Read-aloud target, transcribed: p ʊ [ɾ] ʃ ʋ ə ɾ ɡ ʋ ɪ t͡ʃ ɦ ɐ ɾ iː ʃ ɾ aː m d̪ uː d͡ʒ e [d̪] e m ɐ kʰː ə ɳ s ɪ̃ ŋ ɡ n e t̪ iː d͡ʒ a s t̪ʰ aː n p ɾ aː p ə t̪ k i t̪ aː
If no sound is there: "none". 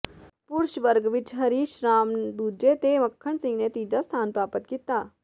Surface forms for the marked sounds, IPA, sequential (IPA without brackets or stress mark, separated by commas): ɾ, t̪